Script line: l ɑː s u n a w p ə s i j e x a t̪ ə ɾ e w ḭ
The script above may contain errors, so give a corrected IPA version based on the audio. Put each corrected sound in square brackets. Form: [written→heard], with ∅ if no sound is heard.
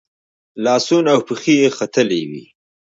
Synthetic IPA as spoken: l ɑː s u n a w p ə [s→x] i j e x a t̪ ə [ɾ→l] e w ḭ